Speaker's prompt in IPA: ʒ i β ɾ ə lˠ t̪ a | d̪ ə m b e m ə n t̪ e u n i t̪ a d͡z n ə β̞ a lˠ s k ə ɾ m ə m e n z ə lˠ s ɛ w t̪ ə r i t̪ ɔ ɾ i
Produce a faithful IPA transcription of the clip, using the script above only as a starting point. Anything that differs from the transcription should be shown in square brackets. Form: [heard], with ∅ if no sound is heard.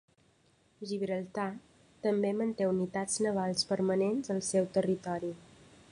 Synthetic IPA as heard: ʒ i β ɾ ə lˠ t̪ a | [t̪] ə m b e m ə n t̪ e u n i t̪ a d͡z n ə β̞ a lˠ s [p] ə ɾ m ə [n] e n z ə lˠ s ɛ w t̪ ə r i t̪ ɔ ɾ i